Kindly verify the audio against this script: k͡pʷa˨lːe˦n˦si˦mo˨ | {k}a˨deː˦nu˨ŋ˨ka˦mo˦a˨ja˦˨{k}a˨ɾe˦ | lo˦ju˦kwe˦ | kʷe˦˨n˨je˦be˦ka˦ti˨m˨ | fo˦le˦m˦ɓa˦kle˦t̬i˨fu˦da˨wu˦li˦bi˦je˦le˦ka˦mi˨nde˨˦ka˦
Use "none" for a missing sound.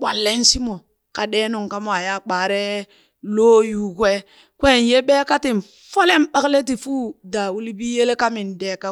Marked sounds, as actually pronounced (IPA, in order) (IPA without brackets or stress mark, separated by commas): k, k͡p